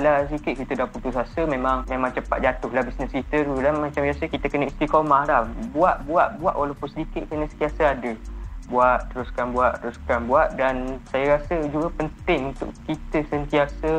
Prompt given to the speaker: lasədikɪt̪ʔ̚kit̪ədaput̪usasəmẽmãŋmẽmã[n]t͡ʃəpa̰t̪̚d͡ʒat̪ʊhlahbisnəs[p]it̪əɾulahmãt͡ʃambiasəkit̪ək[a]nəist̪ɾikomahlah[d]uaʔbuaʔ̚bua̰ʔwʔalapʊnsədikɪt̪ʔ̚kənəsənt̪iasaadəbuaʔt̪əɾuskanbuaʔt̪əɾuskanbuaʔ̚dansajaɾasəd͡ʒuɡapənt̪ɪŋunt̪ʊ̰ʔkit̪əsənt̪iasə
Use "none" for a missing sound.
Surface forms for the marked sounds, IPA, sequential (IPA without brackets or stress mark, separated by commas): ŋ, k, ə, b